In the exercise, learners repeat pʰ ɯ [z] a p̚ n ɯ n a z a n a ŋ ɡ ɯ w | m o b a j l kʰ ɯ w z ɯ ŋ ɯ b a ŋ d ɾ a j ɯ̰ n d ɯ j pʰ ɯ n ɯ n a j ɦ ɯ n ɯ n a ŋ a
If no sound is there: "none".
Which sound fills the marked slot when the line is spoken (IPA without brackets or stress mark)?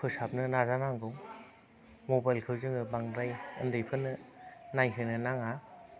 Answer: s